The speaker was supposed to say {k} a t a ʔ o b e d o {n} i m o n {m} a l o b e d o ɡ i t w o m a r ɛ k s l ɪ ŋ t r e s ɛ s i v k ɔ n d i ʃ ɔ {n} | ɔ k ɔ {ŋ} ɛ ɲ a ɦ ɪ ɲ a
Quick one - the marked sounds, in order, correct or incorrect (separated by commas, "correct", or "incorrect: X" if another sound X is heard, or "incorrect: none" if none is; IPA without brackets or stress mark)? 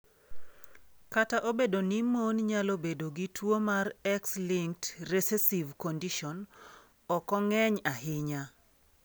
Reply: correct, correct, incorrect: ɲ, correct, correct